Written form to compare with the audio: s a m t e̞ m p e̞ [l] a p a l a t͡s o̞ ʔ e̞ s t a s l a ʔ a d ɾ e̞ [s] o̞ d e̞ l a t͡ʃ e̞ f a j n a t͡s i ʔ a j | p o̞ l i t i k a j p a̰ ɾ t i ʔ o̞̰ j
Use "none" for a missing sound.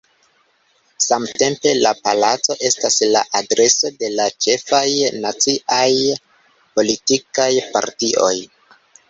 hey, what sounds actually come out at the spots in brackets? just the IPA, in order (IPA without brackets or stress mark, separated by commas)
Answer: l, s